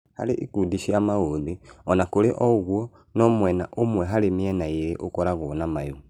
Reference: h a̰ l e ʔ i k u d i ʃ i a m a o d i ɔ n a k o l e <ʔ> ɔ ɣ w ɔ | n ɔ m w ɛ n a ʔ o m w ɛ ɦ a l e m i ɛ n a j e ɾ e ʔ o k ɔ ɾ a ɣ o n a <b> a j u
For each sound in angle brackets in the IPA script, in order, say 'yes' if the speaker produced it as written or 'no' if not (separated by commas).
yes, no